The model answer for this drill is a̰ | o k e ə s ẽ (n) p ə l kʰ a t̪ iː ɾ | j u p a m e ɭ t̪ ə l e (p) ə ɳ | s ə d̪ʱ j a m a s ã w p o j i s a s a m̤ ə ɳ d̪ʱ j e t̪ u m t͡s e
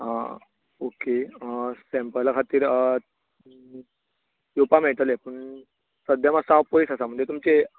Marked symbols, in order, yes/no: no, yes

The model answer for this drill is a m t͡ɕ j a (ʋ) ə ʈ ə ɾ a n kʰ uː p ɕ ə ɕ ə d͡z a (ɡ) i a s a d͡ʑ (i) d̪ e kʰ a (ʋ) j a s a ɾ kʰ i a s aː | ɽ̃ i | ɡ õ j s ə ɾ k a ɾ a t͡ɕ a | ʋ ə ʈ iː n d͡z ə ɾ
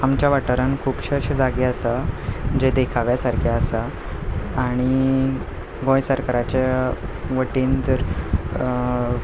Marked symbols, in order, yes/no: yes, yes, no, yes

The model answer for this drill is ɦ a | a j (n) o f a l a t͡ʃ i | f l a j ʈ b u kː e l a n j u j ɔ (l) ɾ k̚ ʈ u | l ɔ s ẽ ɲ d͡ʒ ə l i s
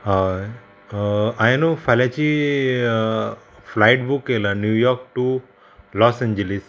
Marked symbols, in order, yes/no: yes, no

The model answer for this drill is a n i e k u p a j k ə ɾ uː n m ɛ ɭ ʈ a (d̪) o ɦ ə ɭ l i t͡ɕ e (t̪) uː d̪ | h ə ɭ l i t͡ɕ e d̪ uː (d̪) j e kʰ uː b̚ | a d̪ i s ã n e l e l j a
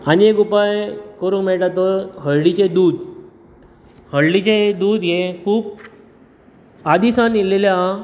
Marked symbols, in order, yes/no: no, no, yes

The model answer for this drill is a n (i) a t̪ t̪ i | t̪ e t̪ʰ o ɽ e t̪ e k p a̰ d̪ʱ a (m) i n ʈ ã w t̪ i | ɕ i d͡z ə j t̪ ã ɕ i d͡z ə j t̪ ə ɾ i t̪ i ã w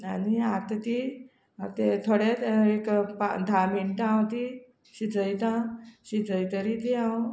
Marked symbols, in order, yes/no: yes, yes

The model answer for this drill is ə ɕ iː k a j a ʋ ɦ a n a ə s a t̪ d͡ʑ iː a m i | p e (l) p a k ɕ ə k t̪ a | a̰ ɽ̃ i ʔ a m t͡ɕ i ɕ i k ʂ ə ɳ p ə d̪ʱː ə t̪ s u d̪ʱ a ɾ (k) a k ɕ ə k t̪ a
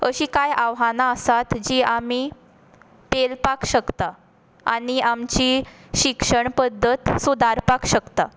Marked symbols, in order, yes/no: yes, no

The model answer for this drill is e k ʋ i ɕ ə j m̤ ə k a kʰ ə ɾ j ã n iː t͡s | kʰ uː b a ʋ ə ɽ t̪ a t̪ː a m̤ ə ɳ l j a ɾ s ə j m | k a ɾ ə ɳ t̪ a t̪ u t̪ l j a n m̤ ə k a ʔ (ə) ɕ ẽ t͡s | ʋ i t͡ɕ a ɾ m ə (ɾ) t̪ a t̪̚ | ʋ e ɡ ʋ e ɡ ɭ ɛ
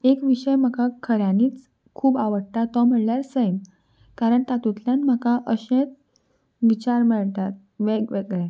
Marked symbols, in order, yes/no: yes, no

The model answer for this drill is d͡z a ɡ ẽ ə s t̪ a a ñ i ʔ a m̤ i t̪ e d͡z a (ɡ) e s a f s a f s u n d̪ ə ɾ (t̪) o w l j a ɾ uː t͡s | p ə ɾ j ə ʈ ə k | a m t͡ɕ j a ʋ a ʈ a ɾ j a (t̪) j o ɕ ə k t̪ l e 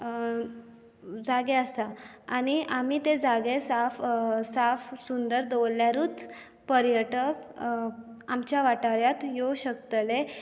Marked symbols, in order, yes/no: yes, no, yes

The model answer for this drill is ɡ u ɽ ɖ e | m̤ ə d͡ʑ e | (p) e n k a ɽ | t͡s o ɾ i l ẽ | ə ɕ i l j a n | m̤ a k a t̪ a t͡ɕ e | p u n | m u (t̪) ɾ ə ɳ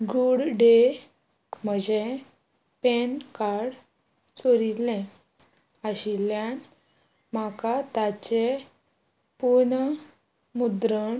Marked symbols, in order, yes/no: yes, no

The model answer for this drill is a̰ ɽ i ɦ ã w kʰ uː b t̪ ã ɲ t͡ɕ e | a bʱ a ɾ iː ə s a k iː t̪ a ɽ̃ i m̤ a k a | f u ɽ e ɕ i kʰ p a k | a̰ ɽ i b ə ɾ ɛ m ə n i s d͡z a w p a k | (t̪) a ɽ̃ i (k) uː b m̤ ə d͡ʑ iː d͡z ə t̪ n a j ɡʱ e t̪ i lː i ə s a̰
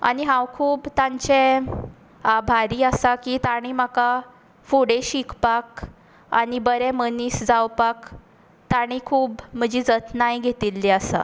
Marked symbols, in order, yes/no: yes, no

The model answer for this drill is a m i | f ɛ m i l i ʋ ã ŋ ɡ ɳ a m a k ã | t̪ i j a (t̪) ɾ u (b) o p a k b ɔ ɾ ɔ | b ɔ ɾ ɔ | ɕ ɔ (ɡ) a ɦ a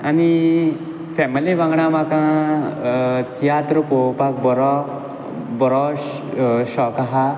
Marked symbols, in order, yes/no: yes, no, no

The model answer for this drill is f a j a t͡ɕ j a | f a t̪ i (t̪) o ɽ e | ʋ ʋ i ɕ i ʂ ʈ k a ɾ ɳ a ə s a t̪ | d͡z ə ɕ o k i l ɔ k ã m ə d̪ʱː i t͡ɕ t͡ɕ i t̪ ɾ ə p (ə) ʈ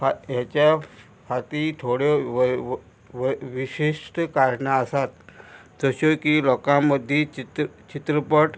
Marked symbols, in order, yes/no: no, yes

